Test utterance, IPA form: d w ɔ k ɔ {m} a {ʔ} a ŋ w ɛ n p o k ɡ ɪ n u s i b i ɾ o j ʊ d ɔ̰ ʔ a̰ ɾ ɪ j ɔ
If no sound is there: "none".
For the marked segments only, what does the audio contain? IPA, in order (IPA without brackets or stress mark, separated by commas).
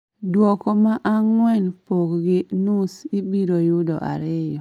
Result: m, ʔ